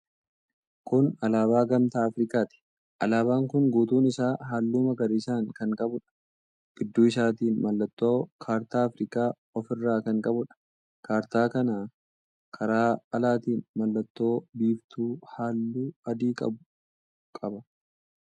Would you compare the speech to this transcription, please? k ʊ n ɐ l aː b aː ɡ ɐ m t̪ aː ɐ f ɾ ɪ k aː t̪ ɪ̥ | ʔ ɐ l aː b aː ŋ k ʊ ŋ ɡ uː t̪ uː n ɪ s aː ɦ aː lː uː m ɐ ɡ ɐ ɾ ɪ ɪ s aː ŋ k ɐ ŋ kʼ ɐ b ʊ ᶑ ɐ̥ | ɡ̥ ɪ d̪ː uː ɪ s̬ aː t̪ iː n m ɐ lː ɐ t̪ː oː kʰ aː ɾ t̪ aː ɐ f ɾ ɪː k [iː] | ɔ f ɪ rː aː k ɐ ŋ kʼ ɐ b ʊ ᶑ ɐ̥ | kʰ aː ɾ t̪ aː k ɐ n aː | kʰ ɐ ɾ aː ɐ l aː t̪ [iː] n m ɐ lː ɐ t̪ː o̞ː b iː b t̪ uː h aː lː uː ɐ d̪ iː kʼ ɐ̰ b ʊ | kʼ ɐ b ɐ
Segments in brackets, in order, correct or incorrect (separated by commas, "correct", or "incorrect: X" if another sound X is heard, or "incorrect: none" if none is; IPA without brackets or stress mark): incorrect: aː, correct